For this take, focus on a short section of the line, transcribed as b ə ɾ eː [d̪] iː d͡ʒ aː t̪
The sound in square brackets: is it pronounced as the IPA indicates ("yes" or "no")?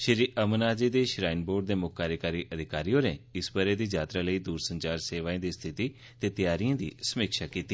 yes